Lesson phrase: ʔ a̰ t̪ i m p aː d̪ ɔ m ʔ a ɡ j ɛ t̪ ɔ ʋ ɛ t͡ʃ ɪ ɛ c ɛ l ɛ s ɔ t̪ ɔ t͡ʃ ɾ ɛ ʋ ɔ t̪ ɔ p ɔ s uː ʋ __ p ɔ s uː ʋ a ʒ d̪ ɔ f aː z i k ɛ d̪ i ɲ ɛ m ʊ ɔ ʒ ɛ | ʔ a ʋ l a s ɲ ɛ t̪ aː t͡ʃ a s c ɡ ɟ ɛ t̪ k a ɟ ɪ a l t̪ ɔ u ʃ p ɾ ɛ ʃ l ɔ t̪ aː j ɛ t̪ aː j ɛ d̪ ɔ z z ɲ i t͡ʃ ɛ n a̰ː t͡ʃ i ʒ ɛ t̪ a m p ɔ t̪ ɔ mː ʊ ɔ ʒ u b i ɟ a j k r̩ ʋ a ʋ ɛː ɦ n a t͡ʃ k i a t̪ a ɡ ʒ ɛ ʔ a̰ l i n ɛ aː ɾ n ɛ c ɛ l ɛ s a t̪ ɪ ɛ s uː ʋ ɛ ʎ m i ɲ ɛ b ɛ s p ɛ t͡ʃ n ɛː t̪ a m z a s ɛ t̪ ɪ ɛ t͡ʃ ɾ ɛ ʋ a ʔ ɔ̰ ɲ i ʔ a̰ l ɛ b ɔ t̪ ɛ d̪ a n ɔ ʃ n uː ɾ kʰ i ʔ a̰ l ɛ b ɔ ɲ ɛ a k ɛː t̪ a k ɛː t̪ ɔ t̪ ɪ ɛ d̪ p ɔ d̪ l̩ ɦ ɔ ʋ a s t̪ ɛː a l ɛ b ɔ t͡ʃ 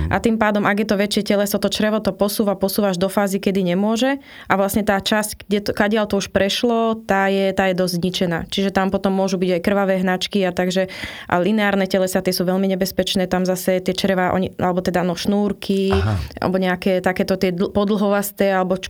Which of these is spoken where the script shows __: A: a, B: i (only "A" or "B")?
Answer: A